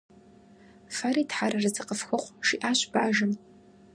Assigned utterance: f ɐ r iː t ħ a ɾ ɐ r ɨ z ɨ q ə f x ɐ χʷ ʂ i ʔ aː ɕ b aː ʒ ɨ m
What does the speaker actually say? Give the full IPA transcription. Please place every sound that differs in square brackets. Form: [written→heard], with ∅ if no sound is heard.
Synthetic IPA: f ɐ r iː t ħ a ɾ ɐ r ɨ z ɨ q ə f x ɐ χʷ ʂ i ʔ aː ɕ b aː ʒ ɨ m